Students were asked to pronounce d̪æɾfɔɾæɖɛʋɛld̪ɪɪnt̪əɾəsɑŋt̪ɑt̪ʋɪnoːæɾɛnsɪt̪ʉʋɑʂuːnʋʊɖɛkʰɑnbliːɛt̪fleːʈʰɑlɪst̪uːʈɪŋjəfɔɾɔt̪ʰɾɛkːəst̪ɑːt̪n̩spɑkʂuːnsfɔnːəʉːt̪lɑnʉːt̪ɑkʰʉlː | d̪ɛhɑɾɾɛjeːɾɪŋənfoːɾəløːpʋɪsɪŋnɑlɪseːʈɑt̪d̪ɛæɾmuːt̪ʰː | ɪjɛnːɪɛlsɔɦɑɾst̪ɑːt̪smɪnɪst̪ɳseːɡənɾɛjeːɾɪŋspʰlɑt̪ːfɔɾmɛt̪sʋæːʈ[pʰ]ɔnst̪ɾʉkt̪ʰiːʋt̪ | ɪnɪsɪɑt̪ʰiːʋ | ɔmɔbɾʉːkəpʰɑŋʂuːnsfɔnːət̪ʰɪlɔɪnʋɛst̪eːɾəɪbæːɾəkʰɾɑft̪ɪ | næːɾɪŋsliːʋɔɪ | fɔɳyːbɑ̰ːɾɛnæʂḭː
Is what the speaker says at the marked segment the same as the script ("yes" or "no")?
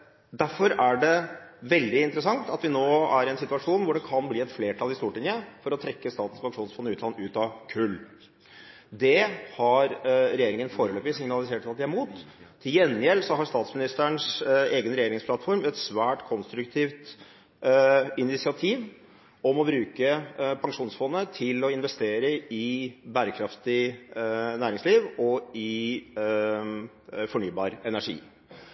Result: no